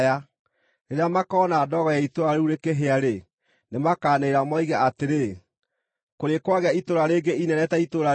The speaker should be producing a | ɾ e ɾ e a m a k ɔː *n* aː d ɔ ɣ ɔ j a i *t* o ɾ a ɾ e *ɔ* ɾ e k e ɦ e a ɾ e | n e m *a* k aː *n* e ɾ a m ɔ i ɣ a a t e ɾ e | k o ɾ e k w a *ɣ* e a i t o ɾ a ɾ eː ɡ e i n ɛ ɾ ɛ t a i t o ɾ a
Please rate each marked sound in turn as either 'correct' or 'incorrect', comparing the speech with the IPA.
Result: correct, correct, incorrect: u, correct, correct, correct

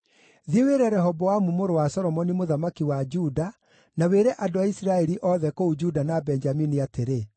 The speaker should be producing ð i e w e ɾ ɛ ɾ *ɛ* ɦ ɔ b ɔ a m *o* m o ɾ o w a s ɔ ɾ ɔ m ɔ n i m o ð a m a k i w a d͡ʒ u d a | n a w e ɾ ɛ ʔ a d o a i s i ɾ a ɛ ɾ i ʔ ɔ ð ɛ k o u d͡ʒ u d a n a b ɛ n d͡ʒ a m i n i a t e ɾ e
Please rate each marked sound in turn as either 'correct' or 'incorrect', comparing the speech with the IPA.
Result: correct, incorrect: u

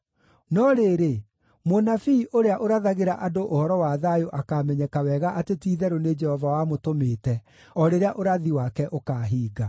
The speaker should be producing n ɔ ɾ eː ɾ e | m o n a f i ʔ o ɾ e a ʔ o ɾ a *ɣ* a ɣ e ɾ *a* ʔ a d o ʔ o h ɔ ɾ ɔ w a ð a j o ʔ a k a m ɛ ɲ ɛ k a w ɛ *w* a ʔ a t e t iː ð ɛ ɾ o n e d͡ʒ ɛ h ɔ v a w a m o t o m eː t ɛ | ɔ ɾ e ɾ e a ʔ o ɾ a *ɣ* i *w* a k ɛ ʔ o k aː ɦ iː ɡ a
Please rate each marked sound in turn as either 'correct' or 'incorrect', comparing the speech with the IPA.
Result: incorrect: ð, correct, incorrect: ɣ, incorrect: ð, correct

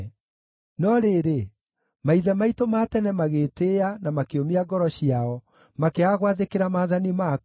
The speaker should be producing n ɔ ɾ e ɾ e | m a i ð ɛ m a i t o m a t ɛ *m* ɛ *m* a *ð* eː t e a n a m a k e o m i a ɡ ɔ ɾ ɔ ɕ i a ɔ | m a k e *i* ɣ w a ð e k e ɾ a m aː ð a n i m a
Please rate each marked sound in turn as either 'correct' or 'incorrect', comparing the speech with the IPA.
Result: incorrect: n, correct, incorrect: ɣ, incorrect: a

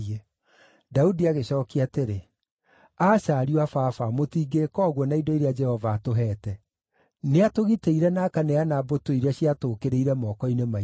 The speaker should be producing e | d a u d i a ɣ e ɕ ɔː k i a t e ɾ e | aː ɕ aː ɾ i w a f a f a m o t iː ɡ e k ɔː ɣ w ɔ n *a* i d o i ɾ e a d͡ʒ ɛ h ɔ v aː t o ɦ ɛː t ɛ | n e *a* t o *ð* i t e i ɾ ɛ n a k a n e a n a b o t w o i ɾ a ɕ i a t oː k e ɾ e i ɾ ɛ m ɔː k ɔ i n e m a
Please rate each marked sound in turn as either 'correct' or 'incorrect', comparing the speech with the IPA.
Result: correct, correct, incorrect: ɣ

